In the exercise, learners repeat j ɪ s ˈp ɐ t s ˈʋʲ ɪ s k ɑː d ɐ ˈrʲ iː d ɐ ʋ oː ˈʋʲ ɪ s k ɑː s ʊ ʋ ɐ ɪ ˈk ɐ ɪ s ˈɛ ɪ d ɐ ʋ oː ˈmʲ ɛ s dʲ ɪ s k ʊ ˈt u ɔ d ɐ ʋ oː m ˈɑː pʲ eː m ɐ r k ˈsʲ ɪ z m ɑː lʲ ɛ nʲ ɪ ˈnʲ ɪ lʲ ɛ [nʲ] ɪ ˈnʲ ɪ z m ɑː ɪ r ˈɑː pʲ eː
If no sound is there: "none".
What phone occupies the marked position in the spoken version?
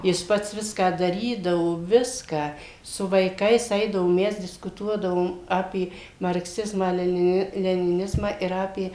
nʲ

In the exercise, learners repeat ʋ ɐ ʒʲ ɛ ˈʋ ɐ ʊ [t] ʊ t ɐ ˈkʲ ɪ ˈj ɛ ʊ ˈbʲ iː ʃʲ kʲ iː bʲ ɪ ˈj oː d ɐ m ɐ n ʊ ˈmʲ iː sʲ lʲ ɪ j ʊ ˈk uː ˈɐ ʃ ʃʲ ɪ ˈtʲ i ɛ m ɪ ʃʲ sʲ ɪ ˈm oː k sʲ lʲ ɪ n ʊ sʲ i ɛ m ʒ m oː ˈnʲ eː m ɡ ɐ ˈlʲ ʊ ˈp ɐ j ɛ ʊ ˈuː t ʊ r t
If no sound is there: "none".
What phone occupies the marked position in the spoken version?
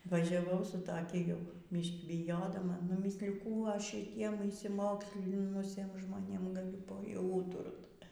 s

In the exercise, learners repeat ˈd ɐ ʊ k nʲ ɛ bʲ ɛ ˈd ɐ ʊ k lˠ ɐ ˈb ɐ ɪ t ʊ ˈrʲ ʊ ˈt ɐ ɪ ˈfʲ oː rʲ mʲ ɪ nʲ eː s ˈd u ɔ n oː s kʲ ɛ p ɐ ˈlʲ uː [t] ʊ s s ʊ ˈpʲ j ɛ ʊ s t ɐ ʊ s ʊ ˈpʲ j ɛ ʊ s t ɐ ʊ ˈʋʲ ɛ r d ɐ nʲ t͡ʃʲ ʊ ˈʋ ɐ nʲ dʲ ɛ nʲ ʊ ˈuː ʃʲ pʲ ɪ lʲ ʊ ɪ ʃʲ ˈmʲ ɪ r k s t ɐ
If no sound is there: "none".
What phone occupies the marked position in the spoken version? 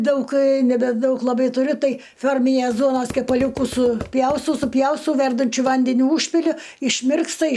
k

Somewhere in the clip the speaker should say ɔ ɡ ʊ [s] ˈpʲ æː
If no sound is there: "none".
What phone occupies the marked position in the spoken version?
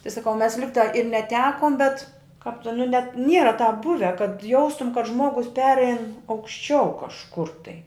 s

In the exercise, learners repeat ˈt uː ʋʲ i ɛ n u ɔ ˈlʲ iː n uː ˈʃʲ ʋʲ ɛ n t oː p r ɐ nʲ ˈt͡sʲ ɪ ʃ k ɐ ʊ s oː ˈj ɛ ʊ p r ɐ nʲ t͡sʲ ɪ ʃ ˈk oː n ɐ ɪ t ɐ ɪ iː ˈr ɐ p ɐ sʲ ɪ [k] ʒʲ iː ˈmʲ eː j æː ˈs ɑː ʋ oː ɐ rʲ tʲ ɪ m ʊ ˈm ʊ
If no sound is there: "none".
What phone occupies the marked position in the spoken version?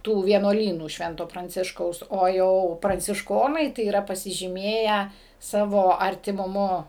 none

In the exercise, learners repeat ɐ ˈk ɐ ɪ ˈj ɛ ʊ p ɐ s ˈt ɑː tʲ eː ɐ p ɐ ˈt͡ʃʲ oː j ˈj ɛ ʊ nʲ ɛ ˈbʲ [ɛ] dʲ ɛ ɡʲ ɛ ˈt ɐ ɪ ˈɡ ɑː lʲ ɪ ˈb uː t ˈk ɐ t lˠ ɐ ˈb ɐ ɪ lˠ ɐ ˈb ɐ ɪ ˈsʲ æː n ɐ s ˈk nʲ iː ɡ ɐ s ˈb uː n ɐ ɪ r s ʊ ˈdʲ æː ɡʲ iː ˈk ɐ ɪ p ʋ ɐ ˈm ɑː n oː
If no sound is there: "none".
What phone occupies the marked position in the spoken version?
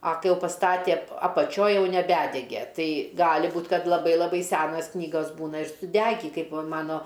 æ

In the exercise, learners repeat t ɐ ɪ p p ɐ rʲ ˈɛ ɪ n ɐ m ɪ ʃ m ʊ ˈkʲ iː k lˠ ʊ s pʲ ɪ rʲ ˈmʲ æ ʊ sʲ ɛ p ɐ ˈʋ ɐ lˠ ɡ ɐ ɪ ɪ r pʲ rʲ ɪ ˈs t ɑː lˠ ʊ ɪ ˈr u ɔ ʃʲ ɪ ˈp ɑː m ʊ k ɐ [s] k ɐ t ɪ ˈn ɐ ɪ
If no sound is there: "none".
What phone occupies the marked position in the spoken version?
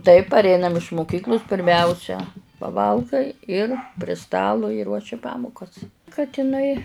s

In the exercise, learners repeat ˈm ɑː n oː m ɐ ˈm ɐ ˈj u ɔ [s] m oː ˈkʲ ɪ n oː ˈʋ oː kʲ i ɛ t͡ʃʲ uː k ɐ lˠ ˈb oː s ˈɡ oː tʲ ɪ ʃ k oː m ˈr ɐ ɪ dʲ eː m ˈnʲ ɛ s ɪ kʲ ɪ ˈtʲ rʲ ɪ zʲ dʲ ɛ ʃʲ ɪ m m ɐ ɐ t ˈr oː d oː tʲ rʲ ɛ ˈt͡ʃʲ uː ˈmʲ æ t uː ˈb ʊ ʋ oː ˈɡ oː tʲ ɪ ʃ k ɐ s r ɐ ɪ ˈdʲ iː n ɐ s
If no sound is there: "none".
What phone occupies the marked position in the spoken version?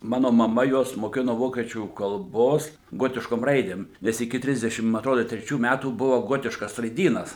s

